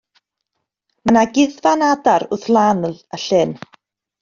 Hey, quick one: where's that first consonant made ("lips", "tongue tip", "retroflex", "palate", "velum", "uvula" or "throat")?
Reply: lips